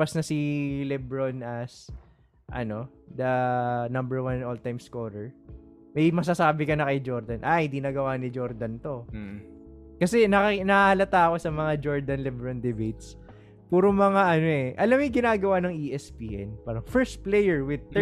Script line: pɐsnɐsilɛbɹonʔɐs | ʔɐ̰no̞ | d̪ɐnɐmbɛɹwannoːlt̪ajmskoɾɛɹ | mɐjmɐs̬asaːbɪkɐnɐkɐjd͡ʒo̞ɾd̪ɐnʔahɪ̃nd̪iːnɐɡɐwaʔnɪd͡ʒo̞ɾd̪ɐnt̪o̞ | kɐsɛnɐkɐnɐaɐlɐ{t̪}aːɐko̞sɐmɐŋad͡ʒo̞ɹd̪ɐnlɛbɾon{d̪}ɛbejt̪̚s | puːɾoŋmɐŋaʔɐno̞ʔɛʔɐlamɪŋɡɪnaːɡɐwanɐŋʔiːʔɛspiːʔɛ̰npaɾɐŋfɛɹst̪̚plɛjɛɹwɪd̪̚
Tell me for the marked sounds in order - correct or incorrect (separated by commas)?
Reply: correct, correct